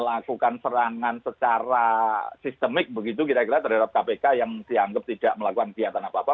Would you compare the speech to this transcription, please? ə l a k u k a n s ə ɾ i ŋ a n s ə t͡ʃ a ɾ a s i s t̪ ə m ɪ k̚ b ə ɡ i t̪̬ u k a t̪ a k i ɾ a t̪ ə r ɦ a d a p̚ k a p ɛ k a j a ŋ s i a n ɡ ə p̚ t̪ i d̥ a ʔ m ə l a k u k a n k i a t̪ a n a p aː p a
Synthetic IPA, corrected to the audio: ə l a k u k a n s ə ɾ a ŋ a n s ə t͡ʃ a ɾ a s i s t̪ ə m ɪ k̚ b ə ɡ i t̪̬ u k i t̪ a k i ɾ a t̪ ə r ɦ a d a p̚ k a p e k a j a ŋ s i a ŋ ɡ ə p̚ t̪ i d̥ a ʔ m ə l a k u k a n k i a t̪ a n a p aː p a